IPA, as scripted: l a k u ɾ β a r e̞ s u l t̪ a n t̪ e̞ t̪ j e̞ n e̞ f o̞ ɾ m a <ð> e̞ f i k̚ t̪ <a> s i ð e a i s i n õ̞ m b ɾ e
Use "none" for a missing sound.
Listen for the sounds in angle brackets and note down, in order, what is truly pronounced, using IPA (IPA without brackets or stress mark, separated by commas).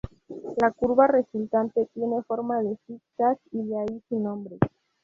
ð, a